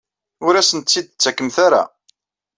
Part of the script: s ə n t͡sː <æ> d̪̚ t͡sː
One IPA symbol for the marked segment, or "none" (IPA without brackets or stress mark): i